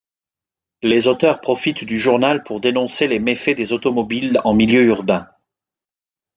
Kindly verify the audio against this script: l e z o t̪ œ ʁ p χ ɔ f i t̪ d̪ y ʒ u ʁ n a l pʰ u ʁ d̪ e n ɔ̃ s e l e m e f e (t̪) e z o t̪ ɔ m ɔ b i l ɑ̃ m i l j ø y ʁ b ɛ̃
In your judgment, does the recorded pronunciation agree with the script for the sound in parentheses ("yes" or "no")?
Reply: no